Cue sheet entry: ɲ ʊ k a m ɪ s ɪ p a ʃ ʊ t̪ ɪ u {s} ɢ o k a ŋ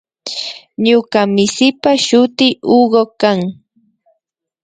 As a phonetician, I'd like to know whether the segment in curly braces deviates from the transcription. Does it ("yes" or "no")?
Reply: yes